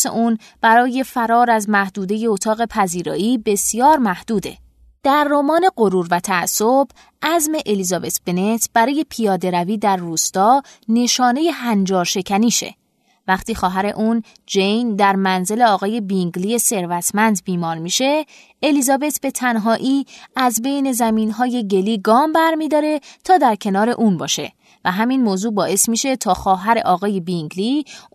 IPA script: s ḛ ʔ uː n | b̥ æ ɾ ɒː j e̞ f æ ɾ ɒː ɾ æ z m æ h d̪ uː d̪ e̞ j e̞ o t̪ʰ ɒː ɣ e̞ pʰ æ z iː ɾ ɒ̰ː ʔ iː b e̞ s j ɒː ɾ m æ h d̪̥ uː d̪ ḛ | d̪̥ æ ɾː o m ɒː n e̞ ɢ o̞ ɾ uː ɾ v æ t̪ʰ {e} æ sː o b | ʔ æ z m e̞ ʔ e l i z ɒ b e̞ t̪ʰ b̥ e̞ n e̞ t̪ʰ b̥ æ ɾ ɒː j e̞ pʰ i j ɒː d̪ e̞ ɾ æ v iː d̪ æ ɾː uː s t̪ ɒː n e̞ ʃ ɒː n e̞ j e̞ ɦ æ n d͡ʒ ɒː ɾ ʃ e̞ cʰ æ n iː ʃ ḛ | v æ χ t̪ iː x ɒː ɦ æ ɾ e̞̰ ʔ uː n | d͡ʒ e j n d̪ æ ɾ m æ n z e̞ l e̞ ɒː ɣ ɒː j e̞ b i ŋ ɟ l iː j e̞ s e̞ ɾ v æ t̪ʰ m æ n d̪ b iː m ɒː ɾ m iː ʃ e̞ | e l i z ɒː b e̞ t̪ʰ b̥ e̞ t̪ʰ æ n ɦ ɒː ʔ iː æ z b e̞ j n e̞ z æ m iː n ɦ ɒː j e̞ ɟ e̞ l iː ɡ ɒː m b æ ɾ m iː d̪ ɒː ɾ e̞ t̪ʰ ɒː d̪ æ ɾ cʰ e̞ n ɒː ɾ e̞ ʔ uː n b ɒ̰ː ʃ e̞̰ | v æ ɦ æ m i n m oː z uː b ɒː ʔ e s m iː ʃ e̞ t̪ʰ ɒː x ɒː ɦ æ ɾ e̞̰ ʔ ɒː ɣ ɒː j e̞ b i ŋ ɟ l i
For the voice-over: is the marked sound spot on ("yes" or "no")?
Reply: no